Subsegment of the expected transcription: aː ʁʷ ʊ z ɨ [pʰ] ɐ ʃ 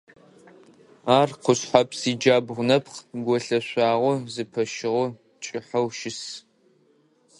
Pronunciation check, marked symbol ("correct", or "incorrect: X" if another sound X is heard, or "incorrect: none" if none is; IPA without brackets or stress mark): correct